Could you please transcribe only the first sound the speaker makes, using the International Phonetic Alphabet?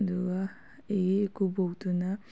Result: d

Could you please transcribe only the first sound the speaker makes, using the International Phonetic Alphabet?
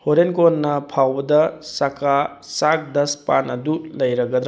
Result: h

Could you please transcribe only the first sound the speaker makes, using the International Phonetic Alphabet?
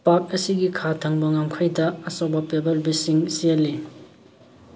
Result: p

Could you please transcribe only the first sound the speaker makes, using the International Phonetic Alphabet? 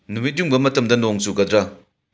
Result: n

